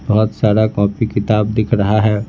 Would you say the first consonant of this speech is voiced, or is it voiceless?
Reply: voiced